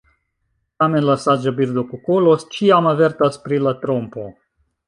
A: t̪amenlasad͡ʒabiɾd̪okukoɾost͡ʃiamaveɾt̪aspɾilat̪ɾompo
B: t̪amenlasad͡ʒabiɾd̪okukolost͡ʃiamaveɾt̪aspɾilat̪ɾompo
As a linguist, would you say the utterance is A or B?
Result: B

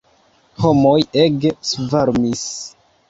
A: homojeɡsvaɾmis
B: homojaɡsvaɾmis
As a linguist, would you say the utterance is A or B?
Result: A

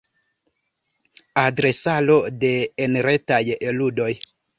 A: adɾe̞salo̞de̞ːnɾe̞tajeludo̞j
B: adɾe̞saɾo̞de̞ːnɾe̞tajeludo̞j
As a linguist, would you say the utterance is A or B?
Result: A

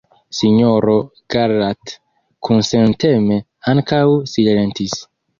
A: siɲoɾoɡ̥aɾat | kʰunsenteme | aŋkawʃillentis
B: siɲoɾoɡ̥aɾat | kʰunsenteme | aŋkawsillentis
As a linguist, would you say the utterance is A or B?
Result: B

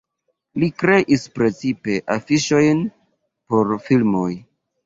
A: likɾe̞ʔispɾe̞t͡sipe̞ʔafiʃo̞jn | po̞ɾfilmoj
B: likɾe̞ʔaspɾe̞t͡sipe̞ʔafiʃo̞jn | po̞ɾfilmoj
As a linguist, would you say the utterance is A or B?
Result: A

